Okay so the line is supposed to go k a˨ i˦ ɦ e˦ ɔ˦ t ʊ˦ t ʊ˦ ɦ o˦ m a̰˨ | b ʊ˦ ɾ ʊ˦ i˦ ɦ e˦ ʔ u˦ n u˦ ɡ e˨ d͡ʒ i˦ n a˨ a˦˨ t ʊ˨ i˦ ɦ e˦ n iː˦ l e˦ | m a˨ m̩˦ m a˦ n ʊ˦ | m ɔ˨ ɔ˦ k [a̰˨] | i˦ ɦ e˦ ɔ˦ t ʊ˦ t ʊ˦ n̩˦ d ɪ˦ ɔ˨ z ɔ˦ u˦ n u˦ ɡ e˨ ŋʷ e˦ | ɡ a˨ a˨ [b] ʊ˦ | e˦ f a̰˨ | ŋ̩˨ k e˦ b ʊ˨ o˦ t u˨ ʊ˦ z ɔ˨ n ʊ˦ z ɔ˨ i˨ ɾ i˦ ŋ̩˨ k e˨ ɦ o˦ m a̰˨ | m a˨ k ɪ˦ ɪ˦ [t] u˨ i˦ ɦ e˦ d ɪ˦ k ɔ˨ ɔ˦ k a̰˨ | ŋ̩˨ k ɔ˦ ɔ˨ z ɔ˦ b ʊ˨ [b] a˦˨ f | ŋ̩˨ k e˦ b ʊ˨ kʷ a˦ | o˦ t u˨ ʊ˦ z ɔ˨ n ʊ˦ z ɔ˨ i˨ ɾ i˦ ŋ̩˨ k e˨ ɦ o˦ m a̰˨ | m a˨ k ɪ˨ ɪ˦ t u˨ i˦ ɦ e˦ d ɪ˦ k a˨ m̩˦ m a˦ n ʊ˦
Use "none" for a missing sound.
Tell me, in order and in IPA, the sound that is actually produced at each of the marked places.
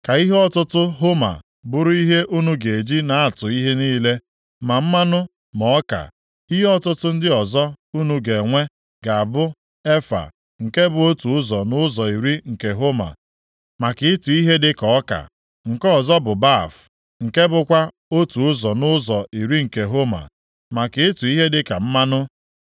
a̰˨, b, t, b

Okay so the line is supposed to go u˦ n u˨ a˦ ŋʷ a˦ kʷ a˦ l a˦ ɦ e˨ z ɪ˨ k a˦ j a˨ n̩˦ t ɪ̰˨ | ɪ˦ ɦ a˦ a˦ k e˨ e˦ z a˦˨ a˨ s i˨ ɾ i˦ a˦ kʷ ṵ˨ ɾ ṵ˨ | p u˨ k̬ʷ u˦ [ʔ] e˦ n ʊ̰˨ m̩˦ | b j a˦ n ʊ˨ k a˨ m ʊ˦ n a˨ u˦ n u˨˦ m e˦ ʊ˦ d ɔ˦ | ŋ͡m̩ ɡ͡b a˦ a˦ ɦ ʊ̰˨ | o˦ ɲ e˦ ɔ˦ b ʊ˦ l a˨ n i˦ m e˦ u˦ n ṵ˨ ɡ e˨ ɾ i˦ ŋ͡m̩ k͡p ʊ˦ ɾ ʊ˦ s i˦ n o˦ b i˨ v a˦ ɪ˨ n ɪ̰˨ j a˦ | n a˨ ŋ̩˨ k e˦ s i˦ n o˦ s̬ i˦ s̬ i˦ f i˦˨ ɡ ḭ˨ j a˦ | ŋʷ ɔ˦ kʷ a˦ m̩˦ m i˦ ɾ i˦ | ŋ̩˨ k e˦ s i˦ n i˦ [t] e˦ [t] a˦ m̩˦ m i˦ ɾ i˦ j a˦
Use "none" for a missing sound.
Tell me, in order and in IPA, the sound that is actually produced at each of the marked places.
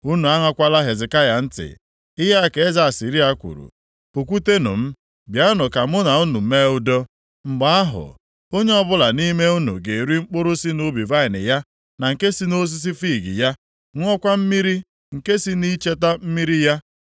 t, t͡ʃ, t

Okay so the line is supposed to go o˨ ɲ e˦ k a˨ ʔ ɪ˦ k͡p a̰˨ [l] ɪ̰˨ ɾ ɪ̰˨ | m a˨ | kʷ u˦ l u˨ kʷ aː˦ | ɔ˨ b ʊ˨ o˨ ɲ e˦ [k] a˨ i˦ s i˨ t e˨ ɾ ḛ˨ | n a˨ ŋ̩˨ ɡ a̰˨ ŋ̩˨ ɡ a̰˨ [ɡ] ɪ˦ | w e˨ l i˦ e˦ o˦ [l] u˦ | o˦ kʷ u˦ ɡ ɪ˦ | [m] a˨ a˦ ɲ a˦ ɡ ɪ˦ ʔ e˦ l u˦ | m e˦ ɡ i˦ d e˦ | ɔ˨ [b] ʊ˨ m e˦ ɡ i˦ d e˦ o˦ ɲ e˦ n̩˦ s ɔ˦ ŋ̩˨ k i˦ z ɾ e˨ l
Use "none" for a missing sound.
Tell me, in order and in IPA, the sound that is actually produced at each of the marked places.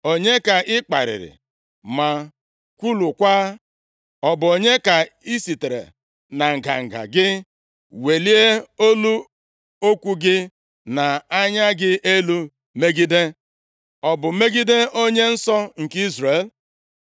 ɾ, k, ɡ, l, n, b

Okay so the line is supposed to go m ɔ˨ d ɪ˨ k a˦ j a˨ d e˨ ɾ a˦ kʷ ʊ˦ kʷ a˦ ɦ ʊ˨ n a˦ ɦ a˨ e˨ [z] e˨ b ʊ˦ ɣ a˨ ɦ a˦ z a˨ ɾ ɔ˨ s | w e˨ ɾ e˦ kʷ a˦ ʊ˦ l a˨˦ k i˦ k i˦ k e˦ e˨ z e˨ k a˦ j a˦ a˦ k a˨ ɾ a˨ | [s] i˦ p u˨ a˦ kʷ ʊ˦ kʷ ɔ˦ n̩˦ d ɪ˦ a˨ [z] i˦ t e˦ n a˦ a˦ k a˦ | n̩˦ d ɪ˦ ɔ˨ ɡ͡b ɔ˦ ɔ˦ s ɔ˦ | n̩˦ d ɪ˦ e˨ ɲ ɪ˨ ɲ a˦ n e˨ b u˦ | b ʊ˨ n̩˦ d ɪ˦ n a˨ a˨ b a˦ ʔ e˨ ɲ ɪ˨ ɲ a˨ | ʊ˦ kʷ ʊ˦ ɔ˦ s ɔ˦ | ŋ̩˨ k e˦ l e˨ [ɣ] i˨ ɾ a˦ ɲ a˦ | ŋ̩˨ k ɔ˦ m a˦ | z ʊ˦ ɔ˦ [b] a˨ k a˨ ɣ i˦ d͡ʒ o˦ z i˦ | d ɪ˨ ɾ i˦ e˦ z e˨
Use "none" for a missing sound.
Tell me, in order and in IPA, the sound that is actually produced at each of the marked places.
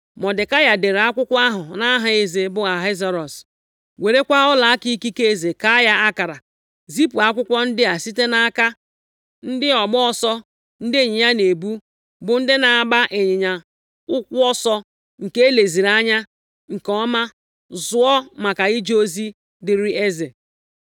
z, z, s, z, m

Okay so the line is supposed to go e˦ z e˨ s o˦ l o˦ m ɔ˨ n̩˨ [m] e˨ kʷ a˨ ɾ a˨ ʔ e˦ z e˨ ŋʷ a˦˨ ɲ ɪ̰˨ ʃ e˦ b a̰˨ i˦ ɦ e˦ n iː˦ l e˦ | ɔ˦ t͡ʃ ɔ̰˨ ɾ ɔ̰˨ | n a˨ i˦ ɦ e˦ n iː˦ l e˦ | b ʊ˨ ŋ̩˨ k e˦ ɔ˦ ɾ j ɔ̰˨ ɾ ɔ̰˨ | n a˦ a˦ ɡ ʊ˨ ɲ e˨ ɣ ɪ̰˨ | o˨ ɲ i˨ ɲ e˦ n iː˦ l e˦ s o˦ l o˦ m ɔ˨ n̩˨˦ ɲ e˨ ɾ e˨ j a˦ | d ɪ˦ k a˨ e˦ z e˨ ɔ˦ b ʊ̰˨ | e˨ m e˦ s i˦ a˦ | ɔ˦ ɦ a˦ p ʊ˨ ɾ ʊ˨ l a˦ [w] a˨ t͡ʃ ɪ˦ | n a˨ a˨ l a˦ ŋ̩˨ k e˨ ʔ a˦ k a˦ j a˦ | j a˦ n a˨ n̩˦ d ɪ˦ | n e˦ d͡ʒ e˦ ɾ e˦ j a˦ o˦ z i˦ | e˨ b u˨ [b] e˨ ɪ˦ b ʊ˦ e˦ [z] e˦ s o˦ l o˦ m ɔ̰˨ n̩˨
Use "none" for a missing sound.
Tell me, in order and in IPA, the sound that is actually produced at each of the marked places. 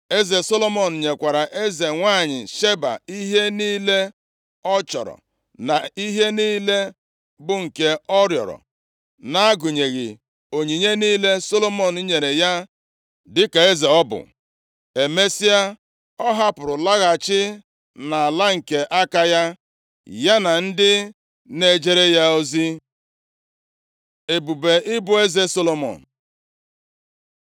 ɲ, ɣ, b, z

